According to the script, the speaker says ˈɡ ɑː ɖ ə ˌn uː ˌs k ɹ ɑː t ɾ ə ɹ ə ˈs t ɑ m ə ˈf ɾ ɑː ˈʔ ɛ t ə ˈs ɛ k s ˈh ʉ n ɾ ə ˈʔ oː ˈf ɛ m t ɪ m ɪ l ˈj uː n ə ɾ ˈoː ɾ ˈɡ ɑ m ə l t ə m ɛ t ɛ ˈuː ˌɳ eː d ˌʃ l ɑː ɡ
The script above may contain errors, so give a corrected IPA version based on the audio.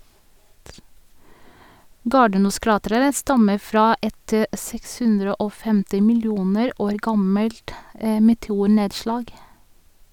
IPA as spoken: ˈɡ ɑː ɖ ə ˌn uː ˌs k ɹ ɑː t ɾ ə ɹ ə ˈs t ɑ m ə ˈf ɾ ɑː ˈʔ ɛ t ə ˈs ɛ k s ˈh ʉ n ɾ ə ˈʔ oː ˈf ɛ m t ɪ m ɪ l ˈj uː n ə ɾ ˈoː ɾ ˈɡ ɑ m ə l t ə m ɛ t ɛ ˈuː ˌɳ eː d ˌʃ l ɑː ɡ